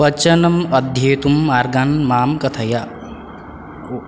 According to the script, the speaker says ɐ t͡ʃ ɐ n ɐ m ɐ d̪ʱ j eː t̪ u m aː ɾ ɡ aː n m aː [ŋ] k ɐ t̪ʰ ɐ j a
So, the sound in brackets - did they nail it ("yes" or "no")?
no